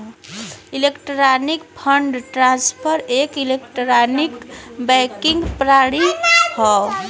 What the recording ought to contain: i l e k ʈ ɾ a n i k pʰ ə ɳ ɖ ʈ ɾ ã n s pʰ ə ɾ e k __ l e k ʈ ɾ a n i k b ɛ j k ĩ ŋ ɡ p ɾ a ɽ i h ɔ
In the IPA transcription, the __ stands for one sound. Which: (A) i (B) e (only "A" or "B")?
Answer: A